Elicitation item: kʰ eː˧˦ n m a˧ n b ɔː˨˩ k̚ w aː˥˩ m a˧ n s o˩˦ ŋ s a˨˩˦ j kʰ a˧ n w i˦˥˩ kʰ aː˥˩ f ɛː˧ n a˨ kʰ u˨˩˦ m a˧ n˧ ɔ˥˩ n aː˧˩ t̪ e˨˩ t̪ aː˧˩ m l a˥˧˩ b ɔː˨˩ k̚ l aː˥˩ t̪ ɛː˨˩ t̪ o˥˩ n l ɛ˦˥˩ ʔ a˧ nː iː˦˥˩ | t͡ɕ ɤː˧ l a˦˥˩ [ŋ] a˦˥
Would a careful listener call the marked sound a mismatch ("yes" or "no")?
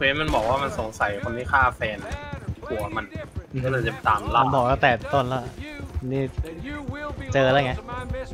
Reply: no